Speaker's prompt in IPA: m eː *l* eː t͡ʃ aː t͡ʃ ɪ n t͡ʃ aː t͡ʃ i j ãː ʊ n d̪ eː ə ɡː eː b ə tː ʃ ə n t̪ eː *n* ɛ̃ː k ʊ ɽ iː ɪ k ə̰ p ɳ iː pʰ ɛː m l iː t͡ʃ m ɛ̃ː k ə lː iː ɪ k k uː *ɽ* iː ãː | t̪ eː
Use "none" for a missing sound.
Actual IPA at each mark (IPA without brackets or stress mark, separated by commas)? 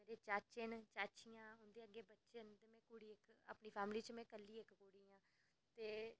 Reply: ɾ, m, ɽ